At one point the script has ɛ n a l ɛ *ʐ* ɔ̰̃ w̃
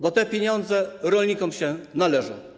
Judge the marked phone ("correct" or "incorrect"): correct